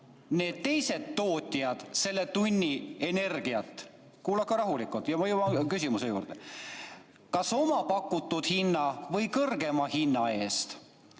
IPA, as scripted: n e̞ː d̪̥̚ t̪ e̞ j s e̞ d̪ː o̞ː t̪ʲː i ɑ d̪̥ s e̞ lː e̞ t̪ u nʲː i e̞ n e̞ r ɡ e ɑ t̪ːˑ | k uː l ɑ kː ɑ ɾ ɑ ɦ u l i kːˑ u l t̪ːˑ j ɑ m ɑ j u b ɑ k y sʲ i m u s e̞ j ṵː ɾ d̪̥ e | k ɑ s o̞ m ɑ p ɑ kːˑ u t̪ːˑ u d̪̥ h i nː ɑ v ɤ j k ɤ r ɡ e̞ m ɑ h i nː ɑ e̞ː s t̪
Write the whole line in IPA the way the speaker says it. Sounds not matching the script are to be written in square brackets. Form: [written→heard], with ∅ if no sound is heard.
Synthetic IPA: n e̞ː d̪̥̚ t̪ e̞ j s e̞ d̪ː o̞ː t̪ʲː i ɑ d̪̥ s e̞ lː e̞ t̪ u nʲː i e̞ n e̞ r ɡ [e→i] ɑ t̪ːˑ | k uː l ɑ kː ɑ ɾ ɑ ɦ u l i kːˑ u l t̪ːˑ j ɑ m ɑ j u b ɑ k y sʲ i m u s e̞ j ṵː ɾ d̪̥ e | k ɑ s o̞ m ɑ p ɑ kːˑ u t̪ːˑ u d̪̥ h i nː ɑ v ɤ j k ɤ r ɡ e̞ m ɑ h i nː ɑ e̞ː s t̪